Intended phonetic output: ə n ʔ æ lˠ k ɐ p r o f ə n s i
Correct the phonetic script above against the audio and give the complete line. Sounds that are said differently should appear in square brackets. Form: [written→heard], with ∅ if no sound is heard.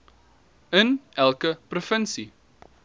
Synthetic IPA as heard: ə n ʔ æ lˠ k [ɐ→ə] p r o f ə n s i